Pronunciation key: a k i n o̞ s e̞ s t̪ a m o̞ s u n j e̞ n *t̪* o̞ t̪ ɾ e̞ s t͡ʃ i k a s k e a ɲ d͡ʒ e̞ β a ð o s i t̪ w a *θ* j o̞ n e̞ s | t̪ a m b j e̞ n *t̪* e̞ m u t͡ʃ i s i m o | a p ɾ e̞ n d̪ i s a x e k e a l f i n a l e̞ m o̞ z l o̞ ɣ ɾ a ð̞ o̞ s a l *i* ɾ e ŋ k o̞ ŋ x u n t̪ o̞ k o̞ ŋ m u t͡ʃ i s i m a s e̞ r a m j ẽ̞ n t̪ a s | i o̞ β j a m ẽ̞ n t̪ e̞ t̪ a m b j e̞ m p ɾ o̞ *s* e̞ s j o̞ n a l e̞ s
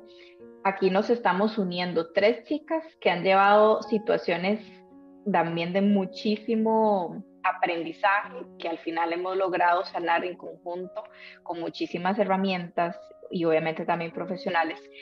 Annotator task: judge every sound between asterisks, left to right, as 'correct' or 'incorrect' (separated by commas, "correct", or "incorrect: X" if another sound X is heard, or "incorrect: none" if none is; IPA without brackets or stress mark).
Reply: incorrect: d̪, incorrect: s, incorrect: d̪, incorrect: a, incorrect: f